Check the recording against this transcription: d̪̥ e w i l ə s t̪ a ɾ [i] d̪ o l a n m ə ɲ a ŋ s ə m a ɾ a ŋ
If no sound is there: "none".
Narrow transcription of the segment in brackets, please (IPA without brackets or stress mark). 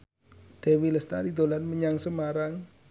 i